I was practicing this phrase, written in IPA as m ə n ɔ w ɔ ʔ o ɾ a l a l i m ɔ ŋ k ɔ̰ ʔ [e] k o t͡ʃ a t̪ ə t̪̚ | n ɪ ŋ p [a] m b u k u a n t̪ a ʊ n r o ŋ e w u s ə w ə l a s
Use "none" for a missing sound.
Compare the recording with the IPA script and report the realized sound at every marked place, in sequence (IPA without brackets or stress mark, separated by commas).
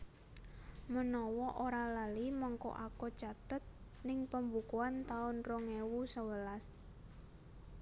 a, ə